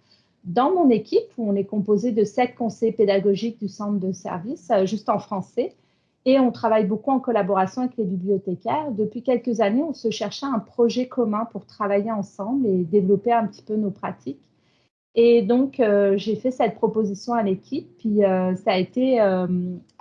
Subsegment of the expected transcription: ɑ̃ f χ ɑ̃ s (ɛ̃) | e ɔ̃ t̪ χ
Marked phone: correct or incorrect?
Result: incorrect